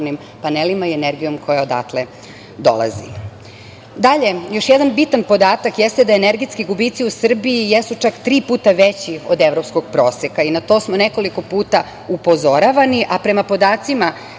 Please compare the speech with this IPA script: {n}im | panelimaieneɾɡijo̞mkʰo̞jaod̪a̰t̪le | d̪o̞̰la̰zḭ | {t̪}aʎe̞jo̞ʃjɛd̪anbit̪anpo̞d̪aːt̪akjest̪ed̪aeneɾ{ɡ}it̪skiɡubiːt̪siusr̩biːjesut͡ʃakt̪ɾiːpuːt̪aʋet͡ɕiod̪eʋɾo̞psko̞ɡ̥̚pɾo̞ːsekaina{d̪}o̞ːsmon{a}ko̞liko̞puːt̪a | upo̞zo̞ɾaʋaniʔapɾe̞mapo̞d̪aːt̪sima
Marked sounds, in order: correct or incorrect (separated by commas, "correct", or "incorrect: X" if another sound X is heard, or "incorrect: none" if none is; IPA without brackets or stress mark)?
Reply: correct, incorrect: d̪, correct, incorrect: t̪, incorrect: e